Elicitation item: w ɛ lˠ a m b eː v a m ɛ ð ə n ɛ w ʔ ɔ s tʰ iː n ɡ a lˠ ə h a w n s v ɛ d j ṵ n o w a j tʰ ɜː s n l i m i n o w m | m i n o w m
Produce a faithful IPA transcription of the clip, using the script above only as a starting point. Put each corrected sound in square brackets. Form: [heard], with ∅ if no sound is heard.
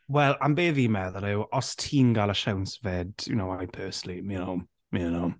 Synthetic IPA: w ɛ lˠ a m b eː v [i] m ɛ ð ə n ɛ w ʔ ɔ s tʰ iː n ɡ a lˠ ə [ʃ] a w n s v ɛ d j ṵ n o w a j [pʰ] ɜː s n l i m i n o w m | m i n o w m